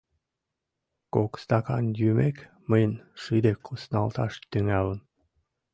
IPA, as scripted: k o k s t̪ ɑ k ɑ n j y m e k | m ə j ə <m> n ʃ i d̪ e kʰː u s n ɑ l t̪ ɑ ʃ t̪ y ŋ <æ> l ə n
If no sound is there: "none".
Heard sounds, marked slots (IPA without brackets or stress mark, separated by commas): none, æ